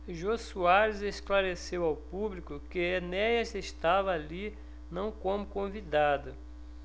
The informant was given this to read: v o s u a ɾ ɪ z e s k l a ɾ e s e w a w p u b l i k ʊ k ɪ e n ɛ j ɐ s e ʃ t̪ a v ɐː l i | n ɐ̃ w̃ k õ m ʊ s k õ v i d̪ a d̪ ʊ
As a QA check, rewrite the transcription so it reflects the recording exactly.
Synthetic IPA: ʒ o s u a ɾ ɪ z e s k l a ɾ e s e w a w p u b l i k ʊ k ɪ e n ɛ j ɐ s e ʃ t̪ a v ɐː l i | n ɐ̃ w̃ k õ m ʊ k õ v i d̪ a d̪ ʊ